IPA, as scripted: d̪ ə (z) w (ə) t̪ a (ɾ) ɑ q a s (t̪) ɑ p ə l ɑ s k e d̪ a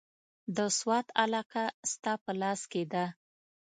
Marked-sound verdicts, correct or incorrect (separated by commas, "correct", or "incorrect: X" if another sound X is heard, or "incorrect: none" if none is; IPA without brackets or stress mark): incorrect: s, incorrect: ɑ, incorrect: l, correct